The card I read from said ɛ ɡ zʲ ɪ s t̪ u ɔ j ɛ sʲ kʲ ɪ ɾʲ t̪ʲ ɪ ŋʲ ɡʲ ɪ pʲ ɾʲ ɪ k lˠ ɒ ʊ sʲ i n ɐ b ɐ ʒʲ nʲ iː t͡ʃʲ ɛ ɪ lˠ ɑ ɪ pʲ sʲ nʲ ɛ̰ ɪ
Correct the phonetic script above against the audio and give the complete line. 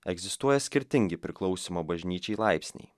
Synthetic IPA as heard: ɛ ɡ zʲ ɪ s t̪ u ɔ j ɛ sʲ kʲ ɪ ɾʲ t̪ʲ ɪ ŋʲ ɡʲ ɪ pʲ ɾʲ ɪ k lˠ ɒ ʊ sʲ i m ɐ b ɐ ʒʲ nʲ iː t͡ʃʲ ɛ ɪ lˠ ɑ ɪ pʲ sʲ nʲ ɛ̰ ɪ

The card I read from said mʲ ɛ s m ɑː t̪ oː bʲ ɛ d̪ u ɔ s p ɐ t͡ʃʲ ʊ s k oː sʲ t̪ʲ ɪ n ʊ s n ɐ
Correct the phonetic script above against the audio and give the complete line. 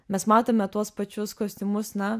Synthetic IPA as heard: mʲ ɛ s m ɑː t̪ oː mʲ ɛ t̪ u ɔ s p ɐ t͡ʃʲ ʊ s k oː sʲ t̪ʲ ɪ m ʊ s n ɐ

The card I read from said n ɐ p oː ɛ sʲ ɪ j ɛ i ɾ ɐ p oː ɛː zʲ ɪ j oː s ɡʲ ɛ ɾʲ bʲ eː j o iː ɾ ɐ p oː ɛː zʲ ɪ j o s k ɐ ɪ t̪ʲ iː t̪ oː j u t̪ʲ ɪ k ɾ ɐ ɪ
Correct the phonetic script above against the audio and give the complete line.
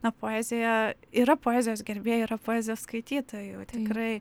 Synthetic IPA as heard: n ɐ p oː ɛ zʲ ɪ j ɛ i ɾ ɐ p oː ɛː zʲ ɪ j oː s ɡʲ ɛ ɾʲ bʲ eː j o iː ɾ ɐ p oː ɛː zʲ ɪ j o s k ɐ ɪ t̪ʲ iː t̪ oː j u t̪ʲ ɪ k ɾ ɐ ɪ

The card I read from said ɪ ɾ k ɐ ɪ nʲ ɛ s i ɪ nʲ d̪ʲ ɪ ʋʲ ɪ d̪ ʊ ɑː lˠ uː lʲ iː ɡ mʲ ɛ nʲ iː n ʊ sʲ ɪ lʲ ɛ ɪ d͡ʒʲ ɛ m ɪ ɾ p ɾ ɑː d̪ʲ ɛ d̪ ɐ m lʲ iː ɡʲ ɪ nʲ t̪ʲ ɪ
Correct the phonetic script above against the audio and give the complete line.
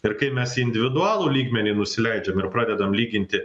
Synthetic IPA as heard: ɪ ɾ k ɐ ɪ mʲ ɛ s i ɪ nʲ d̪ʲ ɪ ʋʲ ɪ d̪ ʊ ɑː lˠ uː lʲ iː ɡ mʲ ɛ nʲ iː n ʊ sʲ ɪ lʲ ɛ ɪ d͡ʒʲ ɛ m ɪ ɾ p ɾ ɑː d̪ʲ ɛ d̪ ɐ m lʲ iː ɡʲ ɪ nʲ t̪ʲ ɪ

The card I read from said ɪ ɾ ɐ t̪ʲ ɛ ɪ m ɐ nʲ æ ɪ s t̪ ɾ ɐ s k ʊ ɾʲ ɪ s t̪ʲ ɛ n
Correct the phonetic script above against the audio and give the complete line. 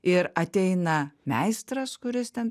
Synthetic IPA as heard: ɪ ɾ ɐ t̪ʲ ɛ ɪ n ɐ mʲ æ ɪ s t̪ ɾ ɐ s k ʊ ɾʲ ɪ s t̪ʲ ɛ n

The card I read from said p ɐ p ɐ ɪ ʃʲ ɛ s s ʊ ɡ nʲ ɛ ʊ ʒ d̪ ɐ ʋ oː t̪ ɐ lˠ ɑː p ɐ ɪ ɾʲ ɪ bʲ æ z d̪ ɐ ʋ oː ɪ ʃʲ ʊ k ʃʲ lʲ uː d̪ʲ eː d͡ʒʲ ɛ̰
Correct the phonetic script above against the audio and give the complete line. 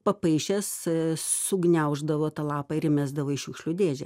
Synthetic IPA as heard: p ɐ p ɐ ɪ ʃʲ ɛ s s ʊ ɡ nʲ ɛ ʊ ʒ d̪ ɐ ʋ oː t̪ ɐ lˠ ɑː p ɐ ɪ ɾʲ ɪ mʲ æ z d̪ ɐ ʋ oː ɪ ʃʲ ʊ k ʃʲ lʲ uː d̪ʲ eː d͡ʒʲ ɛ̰

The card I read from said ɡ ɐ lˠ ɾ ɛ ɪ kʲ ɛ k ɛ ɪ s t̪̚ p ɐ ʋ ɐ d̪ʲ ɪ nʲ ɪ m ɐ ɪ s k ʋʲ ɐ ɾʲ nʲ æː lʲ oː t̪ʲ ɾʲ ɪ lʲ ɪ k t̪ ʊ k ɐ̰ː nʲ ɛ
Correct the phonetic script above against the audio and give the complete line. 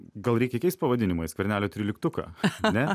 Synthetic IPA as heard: ɡ ɐ lˠ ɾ ɛ ɪ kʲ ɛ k ɛ ɪ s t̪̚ p ɐ ʋ ɐ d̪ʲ ɪ nʲ ɪ m ɐ ɪ s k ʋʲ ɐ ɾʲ nʲ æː lʲ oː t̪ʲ ɾʲ ɪ lʲ ɪ k t̪ ʊ k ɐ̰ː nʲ ɛ

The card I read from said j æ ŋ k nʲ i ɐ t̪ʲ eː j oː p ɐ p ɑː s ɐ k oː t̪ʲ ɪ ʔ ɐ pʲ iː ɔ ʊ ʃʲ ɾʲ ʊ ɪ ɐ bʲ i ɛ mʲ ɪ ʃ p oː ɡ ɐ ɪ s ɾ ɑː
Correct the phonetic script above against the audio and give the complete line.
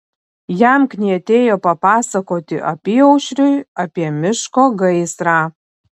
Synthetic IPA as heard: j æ m k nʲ i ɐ t̪ʲ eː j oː p ɐ p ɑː s ɐ k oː t̪ʲ ɪ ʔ ɐ pʲ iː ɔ ʊ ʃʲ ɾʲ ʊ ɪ ɐ pʲ i ɛ mʲ ɪ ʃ k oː ɡ ɐ ɪ s ɾ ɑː

